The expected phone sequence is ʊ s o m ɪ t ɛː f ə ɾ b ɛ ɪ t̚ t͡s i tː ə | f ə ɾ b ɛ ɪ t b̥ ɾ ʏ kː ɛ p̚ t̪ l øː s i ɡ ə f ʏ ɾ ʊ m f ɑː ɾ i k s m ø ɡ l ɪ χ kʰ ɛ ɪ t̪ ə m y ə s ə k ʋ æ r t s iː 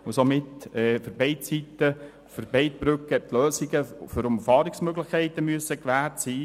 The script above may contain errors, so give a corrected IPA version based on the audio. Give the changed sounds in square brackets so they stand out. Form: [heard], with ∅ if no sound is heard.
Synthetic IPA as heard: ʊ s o m ɪ t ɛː f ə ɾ b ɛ ɪ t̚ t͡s i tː ə | f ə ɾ b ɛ ɪ t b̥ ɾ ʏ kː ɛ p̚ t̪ l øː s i ɡ ə f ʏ ɾ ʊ m f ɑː ɾ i k s m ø ɡ l ɪ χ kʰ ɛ ɪ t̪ ə m y ə s ə k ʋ [æː] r t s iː